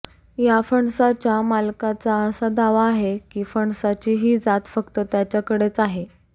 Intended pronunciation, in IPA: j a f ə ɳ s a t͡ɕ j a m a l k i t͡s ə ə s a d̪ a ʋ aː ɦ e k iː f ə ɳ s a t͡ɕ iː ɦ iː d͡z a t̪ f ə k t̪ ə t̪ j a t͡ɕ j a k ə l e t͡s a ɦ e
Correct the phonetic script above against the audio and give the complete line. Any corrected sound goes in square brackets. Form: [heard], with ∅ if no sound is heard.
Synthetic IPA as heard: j a f ə ɳ s a t͡ɕ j a m a l k [a] t͡s [a] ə s a d̪ a ʋ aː ɦ e k iː f ə ɳ s a t͡ɕ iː ɦ iː d͡z a t̪ f ə k t̪ ə t̪ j a t͡ɕ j a k ə [ɽ] e t͡s a ɦ e